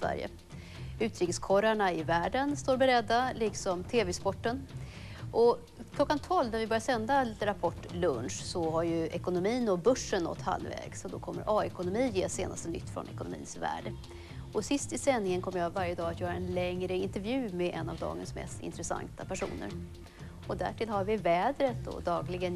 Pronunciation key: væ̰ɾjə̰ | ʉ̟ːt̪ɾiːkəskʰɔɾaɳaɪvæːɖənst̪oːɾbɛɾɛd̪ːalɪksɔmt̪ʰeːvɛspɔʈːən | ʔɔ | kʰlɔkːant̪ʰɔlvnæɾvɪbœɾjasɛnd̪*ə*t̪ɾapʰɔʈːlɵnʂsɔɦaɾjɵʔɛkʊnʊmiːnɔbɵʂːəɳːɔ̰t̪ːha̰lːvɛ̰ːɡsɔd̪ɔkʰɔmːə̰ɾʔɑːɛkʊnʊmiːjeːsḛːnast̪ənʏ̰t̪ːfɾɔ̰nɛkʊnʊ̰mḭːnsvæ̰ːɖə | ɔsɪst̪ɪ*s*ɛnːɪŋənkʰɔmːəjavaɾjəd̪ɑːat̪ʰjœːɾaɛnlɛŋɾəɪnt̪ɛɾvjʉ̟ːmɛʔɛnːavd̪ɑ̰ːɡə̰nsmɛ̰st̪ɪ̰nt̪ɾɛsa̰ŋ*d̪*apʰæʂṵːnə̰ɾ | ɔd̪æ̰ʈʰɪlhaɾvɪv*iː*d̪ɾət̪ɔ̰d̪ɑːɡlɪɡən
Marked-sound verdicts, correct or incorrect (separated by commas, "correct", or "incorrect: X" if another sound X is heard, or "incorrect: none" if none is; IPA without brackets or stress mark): incorrect: a, correct, incorrect: t̪, incorrect: ɛː